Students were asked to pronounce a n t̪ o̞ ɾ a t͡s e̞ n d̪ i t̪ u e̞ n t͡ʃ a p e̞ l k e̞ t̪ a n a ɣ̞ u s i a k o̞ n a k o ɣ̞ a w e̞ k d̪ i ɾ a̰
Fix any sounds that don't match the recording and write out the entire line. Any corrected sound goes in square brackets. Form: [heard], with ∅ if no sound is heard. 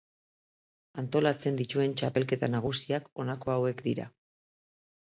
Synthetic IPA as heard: a n t̪ o̞ [l] a t͡s e̞ n d̪ i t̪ u e̞ n t͡ʃ a p e̞ l k e̞ t̪ a n a ɣ̞ u s i a k o̞ n a k o [∅] a w e̞ k d̪ i ɾ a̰